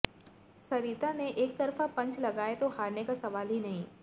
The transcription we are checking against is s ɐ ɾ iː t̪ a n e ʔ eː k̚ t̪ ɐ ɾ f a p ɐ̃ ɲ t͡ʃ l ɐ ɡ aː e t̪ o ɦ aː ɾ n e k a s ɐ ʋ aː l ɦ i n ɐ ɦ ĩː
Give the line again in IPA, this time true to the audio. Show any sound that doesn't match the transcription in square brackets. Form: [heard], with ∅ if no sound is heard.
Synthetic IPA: s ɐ ɾ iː t̪ a n e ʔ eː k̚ t̪ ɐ ɾ f a p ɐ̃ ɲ t͡ʃ l ɐ ɡ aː e t̪ o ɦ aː ɾ n e k a s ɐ ʋ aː l ɦ i n ɐ ɦ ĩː